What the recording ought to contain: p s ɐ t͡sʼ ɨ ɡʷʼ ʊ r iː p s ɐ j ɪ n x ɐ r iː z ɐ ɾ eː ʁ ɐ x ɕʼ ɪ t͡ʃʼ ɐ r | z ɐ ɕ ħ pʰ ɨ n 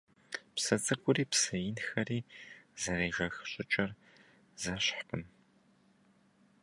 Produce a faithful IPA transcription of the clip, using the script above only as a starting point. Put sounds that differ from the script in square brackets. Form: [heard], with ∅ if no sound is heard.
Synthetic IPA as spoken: p s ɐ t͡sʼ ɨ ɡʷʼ ʊ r iː p s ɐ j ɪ n x ɐ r iː z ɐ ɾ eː [ʒ] ɐ x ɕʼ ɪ t͡ʃʼ ɐ r | z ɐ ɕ ħ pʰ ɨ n